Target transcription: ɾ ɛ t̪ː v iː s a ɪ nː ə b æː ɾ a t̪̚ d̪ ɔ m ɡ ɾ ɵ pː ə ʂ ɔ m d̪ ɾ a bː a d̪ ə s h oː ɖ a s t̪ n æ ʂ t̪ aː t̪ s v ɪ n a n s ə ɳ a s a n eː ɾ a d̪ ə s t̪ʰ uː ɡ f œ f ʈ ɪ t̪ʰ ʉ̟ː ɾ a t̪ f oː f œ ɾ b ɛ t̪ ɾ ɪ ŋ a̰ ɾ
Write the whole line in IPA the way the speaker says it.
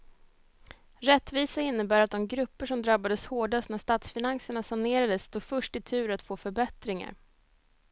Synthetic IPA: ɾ ɛ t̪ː v iː s a ɪ nː ə b æː ɾ a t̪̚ d̪ ɔ m ɡ ɾ ɵ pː ə ʂ ɔ m d̪ ɾ a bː a d̪ ə s h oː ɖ a s t̪ n æ ʂ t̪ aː t̪ s f ɪ n a n s ə ɳ a s a n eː ɾ a d̪ ə s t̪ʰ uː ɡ f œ ʂ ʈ ɪ t̪ʰ ʉ̟ː ɾ a t̪ f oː f œ ɾ b ɛ t̪ ɾ ɪ ŋ a̰ ɾ